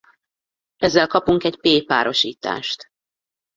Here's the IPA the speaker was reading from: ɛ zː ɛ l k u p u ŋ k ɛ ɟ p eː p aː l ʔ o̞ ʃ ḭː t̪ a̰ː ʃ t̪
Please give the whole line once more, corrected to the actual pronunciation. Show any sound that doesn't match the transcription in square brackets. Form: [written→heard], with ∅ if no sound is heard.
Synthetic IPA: ɛ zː ɛ l k [u→ɒ] p u ŋ k ɛ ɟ p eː p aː [l→ɾ] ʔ o̞ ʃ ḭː t̪ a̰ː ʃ t̪